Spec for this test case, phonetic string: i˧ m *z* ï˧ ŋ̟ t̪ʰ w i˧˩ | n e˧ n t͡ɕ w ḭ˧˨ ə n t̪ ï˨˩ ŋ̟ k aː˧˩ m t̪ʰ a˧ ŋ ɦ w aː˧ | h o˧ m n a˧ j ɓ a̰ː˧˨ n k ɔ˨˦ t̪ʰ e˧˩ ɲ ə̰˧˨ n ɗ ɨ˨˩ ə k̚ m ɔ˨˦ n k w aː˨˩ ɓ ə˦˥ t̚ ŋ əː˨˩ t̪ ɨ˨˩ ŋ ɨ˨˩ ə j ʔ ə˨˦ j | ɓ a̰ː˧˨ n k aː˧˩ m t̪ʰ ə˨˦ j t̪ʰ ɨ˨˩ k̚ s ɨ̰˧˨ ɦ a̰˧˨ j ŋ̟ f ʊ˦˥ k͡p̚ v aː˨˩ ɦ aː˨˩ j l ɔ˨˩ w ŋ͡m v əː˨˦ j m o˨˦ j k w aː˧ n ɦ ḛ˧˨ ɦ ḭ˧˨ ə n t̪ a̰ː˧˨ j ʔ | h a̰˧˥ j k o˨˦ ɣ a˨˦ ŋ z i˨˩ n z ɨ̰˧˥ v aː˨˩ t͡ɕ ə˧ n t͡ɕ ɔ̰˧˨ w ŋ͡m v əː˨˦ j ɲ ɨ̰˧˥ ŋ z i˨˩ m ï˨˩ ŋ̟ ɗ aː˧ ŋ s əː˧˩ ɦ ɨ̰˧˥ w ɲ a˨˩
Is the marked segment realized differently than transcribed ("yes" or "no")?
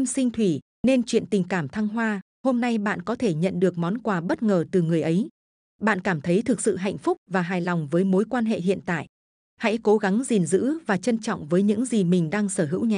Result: yes